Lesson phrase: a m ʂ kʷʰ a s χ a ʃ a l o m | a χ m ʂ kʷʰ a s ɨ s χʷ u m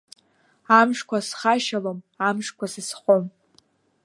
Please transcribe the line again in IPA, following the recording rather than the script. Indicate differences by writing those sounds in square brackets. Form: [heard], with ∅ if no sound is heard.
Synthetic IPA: a m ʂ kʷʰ a s χ a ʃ a l o m | a [∅] m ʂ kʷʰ a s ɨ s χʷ [o] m